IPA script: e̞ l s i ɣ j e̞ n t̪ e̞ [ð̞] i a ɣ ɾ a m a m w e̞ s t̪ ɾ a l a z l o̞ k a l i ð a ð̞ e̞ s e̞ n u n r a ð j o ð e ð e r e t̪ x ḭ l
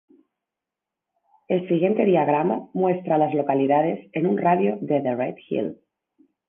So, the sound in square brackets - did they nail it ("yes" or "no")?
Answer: yes